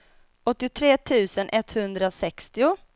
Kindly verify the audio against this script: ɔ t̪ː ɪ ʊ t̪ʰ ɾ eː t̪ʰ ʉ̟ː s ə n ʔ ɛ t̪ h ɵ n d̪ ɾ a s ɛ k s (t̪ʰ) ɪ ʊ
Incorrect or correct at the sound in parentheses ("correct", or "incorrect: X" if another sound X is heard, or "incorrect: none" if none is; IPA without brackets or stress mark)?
incorrect: t̪